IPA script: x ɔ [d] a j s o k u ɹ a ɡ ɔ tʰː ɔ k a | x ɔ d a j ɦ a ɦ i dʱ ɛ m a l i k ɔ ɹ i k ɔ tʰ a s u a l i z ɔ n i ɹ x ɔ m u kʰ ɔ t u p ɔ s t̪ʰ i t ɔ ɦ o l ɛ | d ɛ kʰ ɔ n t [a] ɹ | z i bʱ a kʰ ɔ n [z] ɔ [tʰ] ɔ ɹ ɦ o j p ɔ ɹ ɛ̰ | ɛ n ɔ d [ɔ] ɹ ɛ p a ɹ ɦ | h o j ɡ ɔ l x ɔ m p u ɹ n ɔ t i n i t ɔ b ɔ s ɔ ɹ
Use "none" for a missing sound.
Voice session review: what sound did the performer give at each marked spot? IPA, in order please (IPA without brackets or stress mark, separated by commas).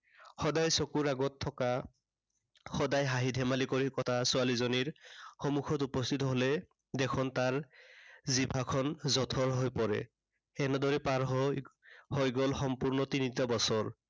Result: d, a, z, tʰ, ɔ